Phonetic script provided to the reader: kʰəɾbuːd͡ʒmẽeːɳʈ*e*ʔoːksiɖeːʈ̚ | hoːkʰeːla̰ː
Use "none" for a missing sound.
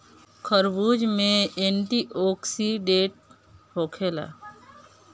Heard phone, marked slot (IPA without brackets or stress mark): i